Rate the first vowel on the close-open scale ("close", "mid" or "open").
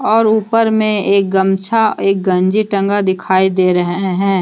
mid